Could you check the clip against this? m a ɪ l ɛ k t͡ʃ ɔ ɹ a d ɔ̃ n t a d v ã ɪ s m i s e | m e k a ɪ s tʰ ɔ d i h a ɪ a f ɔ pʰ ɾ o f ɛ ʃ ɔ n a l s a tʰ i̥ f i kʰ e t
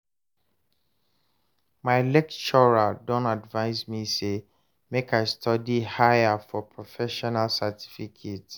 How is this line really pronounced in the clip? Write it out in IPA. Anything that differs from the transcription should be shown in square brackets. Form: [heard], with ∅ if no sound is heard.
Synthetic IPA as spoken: m a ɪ l ɛ k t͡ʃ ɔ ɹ a d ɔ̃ n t a d v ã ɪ s m i s e | m e k a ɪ s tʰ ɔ d i h a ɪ a f ɔ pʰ [ɹ] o f ɛ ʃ ɔ n a l s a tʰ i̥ f i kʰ e t